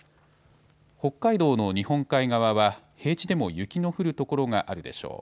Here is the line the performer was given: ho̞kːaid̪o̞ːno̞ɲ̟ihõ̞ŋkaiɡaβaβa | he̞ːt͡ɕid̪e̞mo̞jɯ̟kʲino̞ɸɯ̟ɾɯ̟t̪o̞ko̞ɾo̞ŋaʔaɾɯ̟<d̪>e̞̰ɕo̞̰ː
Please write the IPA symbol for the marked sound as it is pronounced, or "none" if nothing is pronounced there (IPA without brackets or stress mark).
d̪